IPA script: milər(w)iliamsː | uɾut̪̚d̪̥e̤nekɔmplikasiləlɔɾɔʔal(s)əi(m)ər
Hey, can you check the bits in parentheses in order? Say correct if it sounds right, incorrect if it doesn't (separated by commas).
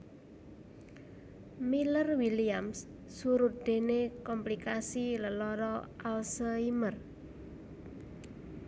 correct, correct, correct